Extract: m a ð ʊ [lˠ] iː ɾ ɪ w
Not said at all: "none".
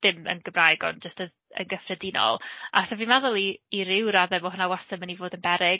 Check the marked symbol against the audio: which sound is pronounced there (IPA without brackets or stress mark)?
lˠ